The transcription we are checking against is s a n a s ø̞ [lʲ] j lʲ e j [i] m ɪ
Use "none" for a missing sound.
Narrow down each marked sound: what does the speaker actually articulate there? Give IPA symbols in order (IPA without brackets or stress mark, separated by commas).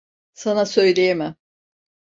none, e